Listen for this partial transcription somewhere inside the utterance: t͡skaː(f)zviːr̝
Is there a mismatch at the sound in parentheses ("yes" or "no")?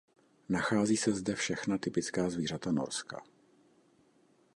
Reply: yes